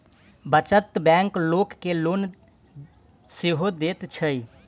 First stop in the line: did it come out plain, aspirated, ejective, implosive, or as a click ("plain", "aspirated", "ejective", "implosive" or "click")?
plain